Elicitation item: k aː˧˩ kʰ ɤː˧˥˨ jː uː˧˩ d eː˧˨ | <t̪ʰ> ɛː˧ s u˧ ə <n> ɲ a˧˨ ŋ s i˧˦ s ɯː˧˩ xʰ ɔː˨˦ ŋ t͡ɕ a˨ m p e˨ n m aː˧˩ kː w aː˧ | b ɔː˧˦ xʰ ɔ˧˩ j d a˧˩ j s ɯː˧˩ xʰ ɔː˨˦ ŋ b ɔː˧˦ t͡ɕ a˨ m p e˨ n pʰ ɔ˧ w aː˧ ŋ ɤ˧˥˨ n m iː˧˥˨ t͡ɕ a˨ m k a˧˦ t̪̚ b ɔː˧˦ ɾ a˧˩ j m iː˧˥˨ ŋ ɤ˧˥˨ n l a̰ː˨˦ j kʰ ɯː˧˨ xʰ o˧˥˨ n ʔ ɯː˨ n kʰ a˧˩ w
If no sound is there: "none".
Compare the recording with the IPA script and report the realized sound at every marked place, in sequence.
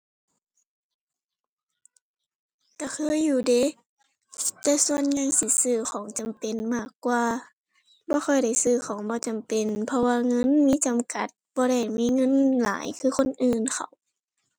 t̪, n

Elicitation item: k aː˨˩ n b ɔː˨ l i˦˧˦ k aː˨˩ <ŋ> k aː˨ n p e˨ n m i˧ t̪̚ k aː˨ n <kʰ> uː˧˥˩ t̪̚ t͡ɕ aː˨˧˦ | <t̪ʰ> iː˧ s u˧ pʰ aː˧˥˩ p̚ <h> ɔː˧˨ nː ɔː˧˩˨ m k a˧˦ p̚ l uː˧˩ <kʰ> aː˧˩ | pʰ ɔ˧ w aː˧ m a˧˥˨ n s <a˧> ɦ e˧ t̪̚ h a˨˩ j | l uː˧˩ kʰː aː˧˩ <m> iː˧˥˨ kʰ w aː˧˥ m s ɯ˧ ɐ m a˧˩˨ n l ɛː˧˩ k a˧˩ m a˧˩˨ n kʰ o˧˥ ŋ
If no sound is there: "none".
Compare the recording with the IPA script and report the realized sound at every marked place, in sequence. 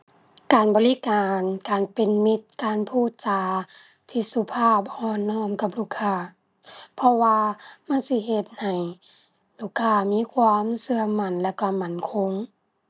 n, pʰ, t̪ʰ, h, kʰ, i˧, m

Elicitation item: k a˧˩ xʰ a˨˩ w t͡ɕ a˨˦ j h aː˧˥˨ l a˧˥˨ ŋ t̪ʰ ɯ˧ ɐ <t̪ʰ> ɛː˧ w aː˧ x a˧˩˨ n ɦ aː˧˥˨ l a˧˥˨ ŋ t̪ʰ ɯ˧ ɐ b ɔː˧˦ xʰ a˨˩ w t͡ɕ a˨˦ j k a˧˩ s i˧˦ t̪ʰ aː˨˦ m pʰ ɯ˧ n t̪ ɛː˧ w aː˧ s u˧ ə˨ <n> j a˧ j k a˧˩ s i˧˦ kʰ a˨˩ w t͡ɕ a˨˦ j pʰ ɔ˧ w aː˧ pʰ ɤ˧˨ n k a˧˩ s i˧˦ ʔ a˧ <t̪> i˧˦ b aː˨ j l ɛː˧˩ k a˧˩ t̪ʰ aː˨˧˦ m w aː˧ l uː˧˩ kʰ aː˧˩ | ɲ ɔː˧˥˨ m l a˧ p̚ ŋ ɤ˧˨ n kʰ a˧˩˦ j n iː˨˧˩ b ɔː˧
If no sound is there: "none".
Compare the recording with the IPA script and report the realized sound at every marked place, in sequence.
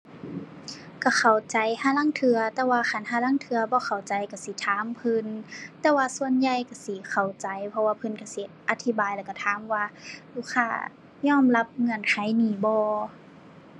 t̪, n, t̪ʰ

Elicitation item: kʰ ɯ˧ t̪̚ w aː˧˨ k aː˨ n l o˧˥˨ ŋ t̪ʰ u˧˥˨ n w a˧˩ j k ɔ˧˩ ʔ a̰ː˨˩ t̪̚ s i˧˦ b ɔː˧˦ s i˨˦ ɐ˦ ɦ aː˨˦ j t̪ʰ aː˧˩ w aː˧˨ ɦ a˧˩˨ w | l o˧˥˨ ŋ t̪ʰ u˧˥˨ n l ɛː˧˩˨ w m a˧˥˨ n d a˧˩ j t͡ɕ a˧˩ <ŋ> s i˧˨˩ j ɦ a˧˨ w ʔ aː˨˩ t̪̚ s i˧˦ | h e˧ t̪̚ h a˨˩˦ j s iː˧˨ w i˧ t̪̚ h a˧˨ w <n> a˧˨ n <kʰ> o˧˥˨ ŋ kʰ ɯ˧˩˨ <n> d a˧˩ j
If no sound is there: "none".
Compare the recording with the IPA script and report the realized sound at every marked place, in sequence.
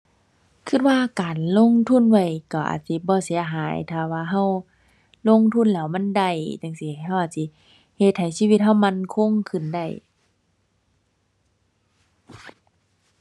ŋ, m, kʰ, n

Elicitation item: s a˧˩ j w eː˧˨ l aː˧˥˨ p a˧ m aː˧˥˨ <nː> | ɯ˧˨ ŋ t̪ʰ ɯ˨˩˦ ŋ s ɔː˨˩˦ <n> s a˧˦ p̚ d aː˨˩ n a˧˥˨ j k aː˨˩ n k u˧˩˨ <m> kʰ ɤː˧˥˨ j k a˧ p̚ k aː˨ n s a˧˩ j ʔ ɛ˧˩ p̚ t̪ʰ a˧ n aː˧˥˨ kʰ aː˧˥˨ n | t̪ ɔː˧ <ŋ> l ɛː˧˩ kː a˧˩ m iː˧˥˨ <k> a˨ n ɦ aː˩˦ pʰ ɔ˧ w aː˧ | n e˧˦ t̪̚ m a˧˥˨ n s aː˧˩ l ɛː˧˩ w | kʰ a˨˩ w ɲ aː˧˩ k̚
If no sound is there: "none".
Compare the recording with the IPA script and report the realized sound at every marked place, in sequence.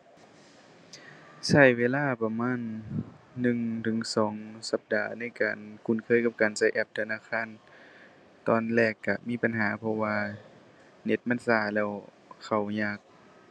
nː, ŋ, n, n, p

